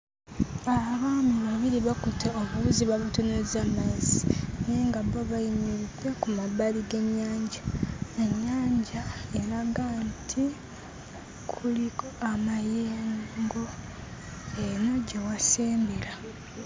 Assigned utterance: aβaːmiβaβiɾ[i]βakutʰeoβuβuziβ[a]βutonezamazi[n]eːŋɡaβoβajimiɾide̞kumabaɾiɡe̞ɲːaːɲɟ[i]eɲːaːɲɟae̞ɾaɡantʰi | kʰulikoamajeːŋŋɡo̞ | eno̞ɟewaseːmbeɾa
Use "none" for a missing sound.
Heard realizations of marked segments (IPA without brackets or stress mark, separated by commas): i, a, n, a